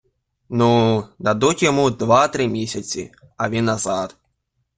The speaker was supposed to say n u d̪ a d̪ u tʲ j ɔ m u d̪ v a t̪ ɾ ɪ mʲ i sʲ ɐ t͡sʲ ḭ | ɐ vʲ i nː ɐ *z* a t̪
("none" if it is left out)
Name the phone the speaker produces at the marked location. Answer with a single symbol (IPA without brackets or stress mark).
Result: z